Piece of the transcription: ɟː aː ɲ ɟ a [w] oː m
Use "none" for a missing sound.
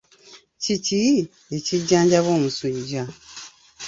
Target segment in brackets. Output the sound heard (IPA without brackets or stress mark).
β